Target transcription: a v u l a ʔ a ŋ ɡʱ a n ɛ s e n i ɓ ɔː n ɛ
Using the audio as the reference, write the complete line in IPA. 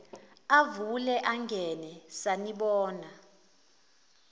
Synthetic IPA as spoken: a v u l ɛ ʔ a ŋ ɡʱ ɛ n ɛ s a n i ɓ ɔː n a